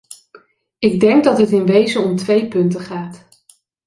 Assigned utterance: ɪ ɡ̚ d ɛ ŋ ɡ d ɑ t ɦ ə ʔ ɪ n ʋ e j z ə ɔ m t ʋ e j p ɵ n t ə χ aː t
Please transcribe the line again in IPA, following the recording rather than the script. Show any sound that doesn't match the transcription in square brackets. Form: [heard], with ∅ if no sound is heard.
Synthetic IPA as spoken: ɪ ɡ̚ d ɛ ŋ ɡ d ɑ t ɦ ə [t] ɪ n ʋ e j z ə ɔ m t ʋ e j p ɵ n t ə χ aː t